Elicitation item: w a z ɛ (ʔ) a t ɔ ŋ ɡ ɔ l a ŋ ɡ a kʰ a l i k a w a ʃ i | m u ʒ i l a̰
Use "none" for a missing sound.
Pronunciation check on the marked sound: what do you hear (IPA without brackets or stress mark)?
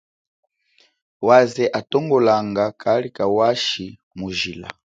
ʔ